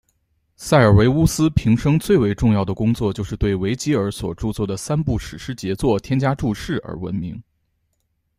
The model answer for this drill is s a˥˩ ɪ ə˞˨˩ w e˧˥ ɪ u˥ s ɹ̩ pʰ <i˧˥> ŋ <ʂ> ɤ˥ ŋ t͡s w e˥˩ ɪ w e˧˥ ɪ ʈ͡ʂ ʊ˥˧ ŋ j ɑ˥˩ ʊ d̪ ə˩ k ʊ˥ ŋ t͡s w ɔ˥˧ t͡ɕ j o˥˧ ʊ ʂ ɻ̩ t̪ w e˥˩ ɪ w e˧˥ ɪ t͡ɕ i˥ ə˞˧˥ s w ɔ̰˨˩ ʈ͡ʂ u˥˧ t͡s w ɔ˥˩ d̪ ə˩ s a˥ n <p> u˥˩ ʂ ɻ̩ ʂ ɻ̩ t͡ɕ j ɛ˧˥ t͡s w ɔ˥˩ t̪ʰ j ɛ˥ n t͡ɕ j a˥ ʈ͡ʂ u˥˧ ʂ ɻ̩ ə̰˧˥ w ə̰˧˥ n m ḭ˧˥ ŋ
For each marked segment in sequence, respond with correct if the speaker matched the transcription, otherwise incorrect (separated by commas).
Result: correct, correct, correct